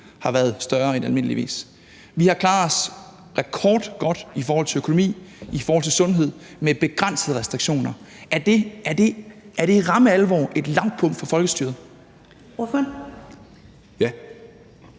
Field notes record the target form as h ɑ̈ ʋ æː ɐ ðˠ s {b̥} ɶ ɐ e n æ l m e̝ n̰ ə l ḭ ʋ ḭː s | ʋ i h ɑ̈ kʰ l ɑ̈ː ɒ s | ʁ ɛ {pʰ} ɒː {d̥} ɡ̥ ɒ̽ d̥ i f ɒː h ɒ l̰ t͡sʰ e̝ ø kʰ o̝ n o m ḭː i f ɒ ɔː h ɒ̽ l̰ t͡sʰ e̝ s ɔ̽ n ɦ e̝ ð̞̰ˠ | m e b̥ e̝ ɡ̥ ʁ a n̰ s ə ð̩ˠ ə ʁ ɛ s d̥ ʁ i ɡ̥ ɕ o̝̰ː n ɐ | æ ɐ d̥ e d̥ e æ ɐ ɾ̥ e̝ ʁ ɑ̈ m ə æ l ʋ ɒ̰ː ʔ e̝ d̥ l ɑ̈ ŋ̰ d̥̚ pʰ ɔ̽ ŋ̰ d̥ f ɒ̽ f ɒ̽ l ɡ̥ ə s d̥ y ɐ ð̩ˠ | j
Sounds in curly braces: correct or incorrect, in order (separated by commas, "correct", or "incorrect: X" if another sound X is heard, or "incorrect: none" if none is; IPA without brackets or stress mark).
incorrect: d̥, incorrect: kʰ, correct